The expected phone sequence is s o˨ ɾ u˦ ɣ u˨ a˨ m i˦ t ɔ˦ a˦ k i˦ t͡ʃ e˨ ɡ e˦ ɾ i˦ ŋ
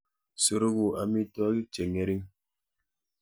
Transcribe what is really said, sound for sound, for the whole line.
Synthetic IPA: s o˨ ɾ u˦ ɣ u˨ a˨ m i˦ t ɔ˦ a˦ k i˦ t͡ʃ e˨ ŋ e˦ ɾ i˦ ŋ